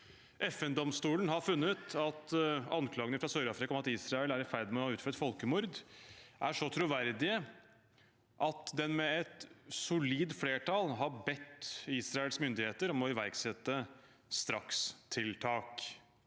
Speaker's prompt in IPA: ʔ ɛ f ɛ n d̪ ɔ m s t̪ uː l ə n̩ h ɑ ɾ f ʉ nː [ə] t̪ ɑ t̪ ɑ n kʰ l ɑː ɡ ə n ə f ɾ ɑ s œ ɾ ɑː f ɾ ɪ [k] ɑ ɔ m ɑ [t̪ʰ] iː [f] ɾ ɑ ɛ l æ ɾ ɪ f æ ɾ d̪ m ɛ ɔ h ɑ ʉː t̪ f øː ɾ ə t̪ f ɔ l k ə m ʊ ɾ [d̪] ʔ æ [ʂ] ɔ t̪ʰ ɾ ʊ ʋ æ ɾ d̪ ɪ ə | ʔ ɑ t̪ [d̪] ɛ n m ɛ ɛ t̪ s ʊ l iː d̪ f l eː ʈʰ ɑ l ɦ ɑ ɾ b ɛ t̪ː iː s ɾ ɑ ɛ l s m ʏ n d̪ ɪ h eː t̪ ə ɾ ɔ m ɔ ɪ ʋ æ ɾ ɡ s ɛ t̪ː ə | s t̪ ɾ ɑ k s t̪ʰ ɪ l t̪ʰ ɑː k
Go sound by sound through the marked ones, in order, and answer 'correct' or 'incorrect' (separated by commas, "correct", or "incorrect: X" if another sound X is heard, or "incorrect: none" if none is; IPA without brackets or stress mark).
correct, correct, incorrect: t̪, incorrect: s, correct, correct, correct